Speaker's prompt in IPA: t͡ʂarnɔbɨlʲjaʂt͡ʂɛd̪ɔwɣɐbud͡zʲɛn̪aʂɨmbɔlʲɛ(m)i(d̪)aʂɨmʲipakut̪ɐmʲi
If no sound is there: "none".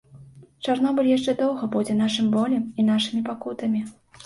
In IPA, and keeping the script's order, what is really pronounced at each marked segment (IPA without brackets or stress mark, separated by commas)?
m, n̪